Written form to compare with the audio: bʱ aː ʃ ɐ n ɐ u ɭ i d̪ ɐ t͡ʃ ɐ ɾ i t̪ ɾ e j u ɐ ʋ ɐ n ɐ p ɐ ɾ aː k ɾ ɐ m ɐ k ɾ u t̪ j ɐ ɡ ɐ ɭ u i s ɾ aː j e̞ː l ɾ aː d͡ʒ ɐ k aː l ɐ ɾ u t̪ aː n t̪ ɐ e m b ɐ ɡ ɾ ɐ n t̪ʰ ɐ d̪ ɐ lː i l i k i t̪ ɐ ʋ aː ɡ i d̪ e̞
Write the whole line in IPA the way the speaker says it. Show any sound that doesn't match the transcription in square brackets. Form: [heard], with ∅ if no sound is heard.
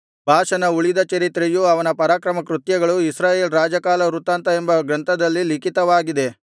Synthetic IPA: bʱ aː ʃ ɐ n ɐ u ɭ i d̪ ɐ t͡ʃ ɐ ɾ i t̪ ɾ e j u ɐ ʋ ɐ n ɐ p ɐ ɾ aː k ɾ ɐ m ɐ k ɾ u t̪ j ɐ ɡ ɐ ɭ u i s ɾ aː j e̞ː l ɾ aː d͡ʒ ɐ k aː l ɐ ɾ u t̪ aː n t̪ ɐ e m b ɐ ɡ ɾ ɐ n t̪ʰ ɐ d̪ ɐ lː i l i k i t̪ ɐ ʋ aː ɡ i d̪ e̞